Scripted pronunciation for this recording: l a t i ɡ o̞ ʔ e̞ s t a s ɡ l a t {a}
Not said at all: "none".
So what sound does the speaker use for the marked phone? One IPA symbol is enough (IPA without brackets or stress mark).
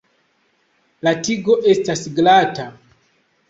a